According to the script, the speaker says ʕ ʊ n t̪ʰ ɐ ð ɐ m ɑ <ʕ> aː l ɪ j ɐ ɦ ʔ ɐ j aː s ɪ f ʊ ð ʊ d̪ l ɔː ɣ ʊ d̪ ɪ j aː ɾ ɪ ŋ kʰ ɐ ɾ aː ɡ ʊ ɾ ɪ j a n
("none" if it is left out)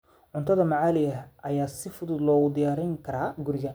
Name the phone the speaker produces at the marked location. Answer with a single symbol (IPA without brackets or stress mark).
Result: ʕ